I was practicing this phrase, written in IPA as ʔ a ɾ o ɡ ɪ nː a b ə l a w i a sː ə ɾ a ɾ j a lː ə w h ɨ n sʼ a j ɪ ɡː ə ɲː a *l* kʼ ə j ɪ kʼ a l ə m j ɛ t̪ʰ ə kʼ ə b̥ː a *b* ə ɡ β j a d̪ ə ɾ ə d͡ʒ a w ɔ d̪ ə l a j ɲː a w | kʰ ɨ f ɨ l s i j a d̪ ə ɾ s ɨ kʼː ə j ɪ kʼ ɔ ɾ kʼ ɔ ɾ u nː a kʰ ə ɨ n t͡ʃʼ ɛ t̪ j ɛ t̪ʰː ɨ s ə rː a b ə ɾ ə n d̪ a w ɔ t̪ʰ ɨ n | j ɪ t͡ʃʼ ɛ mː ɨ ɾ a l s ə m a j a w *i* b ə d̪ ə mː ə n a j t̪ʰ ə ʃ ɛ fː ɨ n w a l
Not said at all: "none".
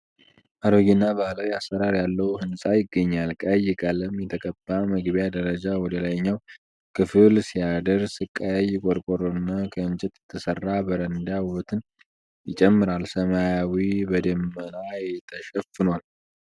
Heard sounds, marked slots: l, m, i

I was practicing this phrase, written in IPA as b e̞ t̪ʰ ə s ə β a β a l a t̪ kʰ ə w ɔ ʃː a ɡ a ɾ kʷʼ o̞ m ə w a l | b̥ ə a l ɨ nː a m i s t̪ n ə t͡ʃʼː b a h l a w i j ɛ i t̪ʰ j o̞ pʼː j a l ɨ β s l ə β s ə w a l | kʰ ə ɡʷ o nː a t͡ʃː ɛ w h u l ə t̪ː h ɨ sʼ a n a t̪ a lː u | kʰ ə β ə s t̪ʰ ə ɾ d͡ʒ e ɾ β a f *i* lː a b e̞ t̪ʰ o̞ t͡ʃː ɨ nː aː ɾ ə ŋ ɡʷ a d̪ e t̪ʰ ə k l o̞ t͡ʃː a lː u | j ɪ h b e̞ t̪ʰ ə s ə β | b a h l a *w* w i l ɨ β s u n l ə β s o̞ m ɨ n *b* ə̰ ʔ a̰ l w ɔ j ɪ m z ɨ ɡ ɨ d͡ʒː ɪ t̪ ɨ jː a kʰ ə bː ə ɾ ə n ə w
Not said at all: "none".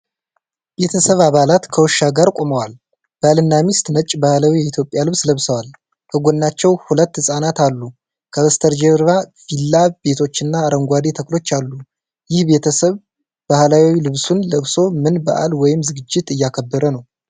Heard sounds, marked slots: i, w, b

